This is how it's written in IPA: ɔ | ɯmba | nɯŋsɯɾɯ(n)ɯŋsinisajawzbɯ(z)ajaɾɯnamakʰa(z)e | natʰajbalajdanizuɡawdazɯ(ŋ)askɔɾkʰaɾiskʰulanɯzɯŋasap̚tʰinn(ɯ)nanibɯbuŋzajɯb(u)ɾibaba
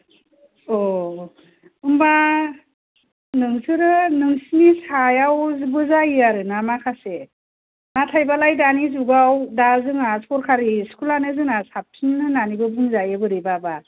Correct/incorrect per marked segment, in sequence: correct, correct, incorrect, correct, correct, incorrect

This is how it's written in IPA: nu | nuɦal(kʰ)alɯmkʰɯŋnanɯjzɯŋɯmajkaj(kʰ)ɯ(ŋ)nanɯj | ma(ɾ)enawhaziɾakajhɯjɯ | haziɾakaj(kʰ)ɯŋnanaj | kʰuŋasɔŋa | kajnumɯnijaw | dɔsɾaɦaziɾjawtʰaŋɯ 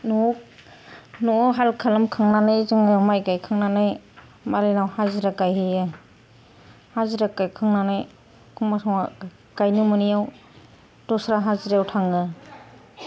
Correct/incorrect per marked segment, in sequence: correct, correct, correct, correct, correct

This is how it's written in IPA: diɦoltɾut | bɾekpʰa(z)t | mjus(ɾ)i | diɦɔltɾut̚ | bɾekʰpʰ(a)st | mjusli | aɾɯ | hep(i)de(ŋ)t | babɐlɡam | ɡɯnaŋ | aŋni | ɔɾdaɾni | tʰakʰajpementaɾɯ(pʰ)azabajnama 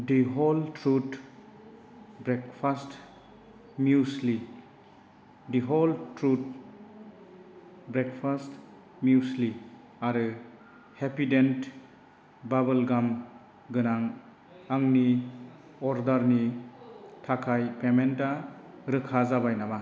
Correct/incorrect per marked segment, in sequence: incorrect, incorrect, correct, correct, incorrect, incorrect

